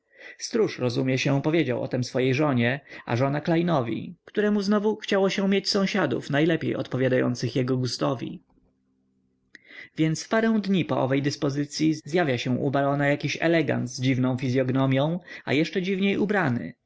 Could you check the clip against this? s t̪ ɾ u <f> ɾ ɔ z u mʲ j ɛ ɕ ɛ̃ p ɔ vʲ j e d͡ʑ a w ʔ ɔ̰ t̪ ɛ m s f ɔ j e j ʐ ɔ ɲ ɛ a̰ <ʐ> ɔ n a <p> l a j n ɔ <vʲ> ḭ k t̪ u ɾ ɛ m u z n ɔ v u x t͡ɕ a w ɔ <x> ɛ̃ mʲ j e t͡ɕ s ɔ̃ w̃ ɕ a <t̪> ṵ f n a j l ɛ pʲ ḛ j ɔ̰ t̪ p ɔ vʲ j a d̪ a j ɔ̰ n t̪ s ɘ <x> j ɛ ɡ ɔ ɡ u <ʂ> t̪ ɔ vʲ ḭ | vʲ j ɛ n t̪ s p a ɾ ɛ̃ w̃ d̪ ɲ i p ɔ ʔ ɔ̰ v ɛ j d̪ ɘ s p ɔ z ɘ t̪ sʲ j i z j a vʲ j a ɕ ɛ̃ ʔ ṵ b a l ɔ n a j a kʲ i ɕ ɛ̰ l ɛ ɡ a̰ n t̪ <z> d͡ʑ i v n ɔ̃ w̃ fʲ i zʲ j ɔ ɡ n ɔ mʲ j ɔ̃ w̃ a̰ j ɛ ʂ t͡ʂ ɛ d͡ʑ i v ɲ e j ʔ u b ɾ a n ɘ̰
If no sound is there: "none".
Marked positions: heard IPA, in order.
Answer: ʂ, ʐ, k, vʲ, ɕ, d̪, x, s, z

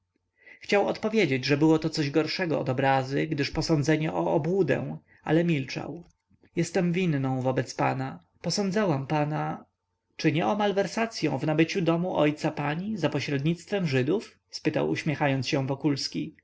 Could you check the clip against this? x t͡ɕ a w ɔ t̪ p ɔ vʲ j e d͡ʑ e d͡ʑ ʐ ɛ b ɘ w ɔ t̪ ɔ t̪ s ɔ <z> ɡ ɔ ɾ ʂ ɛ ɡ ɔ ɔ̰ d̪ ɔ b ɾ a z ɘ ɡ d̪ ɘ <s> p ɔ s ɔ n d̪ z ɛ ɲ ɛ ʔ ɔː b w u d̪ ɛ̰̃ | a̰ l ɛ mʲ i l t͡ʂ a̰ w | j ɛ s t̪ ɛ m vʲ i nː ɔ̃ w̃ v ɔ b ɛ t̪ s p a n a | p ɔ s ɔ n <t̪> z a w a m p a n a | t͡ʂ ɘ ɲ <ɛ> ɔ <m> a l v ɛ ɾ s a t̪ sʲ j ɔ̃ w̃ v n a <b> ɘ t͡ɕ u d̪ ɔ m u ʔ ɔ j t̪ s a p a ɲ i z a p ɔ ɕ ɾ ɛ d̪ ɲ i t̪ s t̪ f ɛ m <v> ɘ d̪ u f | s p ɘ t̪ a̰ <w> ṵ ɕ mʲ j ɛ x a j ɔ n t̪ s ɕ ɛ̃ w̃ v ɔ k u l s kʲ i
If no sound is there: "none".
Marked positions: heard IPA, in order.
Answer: ʑ, ʂ, d̪, ɛ, m, b, ʐ, w

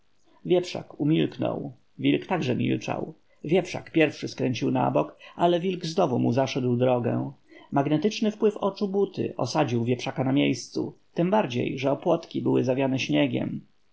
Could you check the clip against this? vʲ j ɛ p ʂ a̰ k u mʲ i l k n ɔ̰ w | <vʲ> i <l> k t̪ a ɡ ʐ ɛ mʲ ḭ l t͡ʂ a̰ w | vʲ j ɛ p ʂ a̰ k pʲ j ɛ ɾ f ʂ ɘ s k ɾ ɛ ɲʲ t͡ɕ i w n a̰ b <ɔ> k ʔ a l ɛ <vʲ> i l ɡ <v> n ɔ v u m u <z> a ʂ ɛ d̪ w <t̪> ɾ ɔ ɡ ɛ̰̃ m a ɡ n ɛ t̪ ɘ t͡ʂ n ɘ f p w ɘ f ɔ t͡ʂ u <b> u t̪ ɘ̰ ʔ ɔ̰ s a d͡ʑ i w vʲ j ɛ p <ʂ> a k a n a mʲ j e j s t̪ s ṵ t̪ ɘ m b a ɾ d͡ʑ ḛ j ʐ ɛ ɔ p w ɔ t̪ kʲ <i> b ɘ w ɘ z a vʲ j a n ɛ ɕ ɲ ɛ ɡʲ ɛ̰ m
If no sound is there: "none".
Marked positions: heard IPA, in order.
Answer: vʲ, l, ɔ, vʲ, z, z, d̪, b, ʂ, i

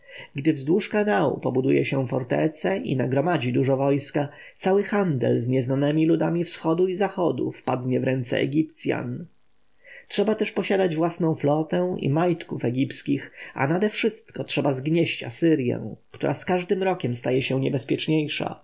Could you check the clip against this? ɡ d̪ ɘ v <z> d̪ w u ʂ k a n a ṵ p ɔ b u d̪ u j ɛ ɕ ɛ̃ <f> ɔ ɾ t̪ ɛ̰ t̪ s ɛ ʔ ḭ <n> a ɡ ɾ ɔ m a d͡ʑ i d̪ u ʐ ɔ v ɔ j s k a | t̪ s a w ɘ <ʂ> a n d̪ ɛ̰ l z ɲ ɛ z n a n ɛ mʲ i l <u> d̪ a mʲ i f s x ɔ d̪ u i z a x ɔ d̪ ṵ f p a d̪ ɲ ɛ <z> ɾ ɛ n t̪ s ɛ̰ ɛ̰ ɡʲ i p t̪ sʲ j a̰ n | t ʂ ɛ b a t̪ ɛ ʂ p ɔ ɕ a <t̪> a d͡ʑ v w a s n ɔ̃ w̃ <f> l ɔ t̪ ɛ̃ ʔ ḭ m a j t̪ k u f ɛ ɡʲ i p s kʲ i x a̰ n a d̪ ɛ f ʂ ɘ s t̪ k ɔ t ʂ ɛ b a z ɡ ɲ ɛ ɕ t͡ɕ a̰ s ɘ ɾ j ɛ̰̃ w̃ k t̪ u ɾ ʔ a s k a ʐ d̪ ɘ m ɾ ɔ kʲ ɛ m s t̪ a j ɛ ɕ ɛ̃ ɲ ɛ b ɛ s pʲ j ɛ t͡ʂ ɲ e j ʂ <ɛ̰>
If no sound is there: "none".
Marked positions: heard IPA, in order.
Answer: z, f, n, x, u, v, d̪, f, a̰

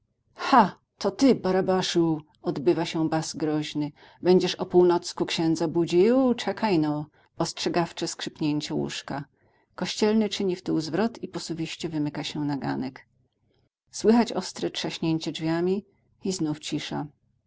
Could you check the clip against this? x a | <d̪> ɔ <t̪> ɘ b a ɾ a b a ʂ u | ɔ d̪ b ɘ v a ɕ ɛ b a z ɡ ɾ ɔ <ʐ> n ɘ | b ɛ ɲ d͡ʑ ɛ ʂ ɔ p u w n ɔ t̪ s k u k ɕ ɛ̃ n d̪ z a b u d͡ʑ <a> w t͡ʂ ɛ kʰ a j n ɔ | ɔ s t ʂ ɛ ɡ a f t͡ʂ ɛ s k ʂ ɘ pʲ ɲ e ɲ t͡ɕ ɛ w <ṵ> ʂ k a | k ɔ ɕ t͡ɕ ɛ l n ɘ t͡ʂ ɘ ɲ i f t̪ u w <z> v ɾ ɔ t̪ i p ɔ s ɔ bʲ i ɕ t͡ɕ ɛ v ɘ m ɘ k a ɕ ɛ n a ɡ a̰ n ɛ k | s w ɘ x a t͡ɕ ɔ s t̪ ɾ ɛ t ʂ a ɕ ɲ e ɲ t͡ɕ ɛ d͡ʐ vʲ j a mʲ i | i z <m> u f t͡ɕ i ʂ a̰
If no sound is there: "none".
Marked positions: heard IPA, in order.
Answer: t̪, t̪, ʑ, i, ṵ, z, n

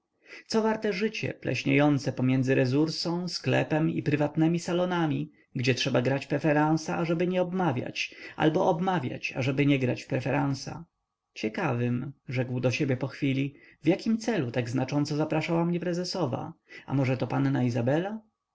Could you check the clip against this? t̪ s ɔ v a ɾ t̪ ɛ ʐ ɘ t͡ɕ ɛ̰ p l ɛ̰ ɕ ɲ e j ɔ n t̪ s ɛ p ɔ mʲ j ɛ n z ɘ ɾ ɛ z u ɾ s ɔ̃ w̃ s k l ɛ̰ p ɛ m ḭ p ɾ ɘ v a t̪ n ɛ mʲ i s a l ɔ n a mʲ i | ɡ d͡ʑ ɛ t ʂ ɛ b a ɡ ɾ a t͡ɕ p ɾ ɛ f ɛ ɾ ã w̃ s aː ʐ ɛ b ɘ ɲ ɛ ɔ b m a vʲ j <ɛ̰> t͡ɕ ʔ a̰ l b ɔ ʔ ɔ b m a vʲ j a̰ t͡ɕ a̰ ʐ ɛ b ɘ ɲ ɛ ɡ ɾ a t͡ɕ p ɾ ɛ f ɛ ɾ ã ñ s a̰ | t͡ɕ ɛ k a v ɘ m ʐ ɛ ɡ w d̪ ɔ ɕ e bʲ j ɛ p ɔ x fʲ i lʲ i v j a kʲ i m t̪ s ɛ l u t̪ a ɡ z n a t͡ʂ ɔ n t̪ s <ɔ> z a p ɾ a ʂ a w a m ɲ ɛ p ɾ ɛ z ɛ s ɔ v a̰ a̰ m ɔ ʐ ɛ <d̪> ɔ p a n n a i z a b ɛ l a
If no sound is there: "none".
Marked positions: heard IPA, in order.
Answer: a̰, ɔ, t̪

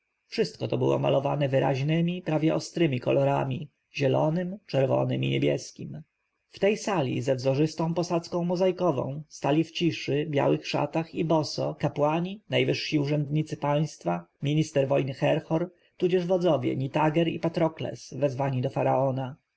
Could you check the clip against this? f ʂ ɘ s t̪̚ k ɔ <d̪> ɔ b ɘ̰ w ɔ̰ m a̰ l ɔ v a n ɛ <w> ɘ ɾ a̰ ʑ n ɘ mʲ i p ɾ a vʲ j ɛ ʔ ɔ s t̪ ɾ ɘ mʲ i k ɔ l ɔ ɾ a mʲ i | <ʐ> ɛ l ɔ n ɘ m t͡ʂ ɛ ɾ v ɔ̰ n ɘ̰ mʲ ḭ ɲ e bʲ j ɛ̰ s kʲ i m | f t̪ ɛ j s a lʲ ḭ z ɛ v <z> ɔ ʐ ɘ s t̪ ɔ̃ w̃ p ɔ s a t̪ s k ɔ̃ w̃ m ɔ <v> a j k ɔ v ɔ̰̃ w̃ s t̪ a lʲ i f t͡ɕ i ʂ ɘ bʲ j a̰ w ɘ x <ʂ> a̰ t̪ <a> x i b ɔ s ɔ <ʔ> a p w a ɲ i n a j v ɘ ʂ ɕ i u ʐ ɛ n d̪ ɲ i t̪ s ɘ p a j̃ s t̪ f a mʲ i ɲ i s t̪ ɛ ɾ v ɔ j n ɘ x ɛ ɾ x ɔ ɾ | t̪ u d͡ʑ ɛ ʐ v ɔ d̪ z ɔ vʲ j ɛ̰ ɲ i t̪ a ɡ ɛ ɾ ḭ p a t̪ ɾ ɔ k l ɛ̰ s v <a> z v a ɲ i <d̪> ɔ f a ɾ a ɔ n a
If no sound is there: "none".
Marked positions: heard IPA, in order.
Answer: t̪, v, ʑ, z, z, ʂ, a, k, ɛ, d̪

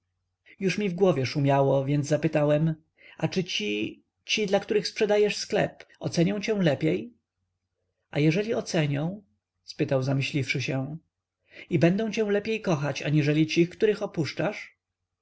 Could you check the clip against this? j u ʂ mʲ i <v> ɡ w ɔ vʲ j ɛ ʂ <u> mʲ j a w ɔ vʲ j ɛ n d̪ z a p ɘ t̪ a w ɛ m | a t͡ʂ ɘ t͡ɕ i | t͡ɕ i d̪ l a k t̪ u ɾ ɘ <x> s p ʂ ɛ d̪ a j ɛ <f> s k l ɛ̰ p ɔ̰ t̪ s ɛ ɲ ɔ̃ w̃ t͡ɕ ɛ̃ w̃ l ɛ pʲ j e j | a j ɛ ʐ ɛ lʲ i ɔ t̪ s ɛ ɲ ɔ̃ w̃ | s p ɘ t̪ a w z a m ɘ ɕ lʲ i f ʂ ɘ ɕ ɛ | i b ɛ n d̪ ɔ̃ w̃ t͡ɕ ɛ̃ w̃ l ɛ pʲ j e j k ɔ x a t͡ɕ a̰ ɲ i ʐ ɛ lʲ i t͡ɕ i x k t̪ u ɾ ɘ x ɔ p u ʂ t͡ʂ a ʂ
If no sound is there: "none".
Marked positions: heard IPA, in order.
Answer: v, u, x, ʂ

